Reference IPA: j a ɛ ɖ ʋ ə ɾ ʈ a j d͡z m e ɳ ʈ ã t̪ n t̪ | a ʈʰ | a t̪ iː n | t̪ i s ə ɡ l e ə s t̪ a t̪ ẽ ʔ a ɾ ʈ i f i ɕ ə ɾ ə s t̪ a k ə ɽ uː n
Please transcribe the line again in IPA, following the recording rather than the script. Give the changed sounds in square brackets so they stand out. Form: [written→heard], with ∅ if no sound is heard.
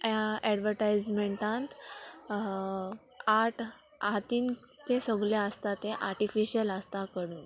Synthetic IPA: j a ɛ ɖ ʋ ə ɾ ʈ a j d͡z m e ɳ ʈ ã [t̪→∅] n t̪ | a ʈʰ | a t̪ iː n | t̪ [i→e] s ə ɡ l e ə s t̪ a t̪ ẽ ʔ a ɾ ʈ i f i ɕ ə [ɾ→l] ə s t̪ a k ə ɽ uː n